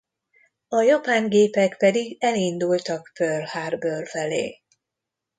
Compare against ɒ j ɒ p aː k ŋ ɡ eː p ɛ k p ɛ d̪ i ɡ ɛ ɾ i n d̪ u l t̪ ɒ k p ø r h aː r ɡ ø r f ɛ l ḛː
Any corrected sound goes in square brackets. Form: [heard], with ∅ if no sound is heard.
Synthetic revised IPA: ɒ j ɒ p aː [∅] ŋ ɡ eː p ɛ k p ɛ d̪ i ɡ ɛ [l] i n d̪ u l t̪ ɒ k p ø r h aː r [b] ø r f ɛ l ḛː